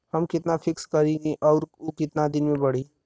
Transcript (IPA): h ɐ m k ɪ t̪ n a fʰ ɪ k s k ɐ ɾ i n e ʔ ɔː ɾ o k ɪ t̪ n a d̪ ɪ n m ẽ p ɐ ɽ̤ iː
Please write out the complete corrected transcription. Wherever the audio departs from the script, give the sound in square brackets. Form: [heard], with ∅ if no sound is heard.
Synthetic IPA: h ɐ m k ɪ t̪ n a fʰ ɪ k s k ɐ ɾ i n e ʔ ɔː ɾ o k ɪ t̪ n a d̪ ɪ n m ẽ [b] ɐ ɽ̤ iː